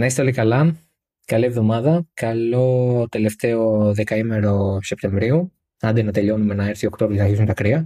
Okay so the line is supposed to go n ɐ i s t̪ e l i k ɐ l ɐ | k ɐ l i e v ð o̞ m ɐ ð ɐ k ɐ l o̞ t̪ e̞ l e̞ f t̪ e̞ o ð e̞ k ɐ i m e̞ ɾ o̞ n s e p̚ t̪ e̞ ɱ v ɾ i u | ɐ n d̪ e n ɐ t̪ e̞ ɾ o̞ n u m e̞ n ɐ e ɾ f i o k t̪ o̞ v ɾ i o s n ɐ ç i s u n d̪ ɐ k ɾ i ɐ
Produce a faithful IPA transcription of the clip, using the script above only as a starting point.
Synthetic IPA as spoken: n ɐ i s t̪ e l i k ɐ l ɐ | k ɐ l i e v ð o̞ m ɐ ð ɐ k ɐ l o̞ t̪ e̞ l e̞ f t̪ e̞ o ð e̞ k ɐ i m e̞ ɾ o̞ s e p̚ t̪ e̞ ɱ v ɾ i u | ɐ n d̪ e n ɐ t̪ e̞ ʎ o̞ n u m e̞ n ɐ e ɾ θ i o k t̪ o̞ v ɾ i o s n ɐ ç i s u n t̪ ɐ k ɾ i ɐ